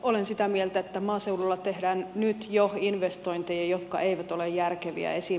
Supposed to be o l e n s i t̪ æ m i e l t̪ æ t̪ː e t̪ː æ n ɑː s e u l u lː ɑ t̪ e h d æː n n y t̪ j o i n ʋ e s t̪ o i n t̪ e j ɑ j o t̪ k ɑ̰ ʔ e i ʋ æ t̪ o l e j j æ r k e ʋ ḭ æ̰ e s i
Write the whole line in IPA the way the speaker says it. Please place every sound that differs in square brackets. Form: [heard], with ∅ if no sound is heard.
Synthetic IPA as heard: o l e n s i t̪ æ m i e l t̪ æ [∅] e t̪ː æ [m] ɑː s e u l u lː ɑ t̪ e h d æː n n y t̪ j o i n ʋ e s t̪ o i n t̪ e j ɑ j o t̪ k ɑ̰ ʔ e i ʋ æ t̪ o l e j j æ r k e ʋ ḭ æ̰ e s i